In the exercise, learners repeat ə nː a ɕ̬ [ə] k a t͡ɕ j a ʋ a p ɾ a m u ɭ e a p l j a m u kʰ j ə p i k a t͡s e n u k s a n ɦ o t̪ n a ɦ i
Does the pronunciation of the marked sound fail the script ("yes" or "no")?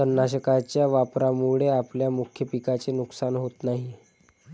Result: no